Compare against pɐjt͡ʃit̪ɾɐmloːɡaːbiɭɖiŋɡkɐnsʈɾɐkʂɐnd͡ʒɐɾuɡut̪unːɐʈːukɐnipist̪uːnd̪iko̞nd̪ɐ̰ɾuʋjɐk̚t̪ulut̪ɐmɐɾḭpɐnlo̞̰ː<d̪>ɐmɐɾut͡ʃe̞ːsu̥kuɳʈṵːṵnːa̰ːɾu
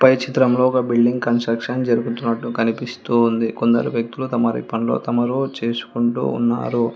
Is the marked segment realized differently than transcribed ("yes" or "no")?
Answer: yes